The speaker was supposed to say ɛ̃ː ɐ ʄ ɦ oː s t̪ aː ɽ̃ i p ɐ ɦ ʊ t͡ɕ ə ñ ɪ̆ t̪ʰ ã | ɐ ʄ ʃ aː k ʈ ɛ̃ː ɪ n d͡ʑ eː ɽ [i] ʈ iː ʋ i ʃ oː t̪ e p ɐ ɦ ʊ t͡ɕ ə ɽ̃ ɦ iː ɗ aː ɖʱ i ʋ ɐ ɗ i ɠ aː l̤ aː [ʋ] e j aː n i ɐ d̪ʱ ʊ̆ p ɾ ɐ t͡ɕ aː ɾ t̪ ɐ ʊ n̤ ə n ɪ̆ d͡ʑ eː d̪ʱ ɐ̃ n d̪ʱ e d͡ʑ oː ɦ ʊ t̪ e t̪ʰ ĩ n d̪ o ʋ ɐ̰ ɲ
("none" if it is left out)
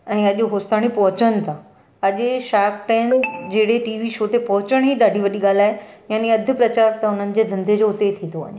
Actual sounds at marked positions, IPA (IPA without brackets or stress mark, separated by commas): e, none